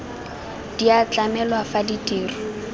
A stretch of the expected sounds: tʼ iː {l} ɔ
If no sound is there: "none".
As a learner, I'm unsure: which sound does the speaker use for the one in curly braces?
r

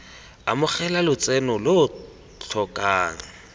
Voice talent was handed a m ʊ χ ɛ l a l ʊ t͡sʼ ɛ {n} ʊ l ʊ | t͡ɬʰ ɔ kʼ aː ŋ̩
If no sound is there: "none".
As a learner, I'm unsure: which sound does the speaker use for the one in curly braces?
n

